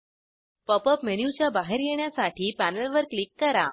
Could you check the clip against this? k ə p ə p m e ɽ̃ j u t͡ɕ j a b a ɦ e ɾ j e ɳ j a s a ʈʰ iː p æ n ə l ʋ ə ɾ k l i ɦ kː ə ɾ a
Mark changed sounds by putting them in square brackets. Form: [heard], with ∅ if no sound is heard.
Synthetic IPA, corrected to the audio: [p] ə p ə p m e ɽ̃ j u t͡ɕ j a b a ɦ e ɾ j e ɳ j a s a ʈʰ iː p æ n ə l ʋ ə ɾ k l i [∅] kː ə ɾ a